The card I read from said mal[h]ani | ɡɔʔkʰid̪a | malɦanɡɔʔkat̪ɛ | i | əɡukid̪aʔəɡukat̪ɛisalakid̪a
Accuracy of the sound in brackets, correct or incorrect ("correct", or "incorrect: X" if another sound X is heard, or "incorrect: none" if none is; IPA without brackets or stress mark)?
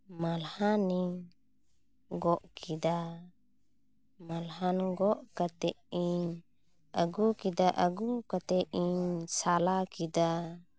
correct